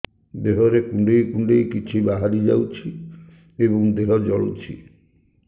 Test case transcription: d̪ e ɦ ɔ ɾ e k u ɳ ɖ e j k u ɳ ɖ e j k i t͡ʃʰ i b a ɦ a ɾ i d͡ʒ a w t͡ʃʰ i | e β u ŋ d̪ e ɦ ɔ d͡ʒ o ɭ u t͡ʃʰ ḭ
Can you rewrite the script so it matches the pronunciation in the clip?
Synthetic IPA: d̪ e ɦ ɔ ɾ e k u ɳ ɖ e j k u ɳ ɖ e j k i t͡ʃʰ i b a ɦ a ɾ i d͡ʒ a w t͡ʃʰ i | e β ɔ ŋ d̪ e ɦ ɔ d͡ʒ ɔ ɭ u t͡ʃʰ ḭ